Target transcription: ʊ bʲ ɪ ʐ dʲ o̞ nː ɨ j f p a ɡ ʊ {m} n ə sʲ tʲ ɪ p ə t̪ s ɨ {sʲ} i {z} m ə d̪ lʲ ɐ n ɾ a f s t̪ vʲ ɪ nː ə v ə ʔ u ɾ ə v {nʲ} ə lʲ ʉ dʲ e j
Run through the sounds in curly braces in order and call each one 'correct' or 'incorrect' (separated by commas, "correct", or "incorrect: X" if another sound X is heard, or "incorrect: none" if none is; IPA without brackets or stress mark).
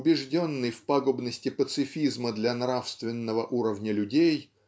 incorrect: b, incorrect: fʲ, correct, correct